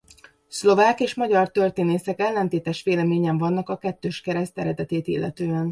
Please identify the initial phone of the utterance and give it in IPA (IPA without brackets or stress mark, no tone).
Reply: s